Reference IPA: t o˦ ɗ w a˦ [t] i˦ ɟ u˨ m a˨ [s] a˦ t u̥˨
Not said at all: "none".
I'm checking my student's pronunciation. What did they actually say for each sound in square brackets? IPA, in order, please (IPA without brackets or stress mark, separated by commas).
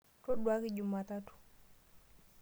k, t